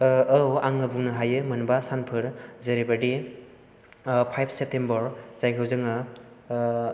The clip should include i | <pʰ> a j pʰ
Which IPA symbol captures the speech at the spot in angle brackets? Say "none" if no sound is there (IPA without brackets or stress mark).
pʰ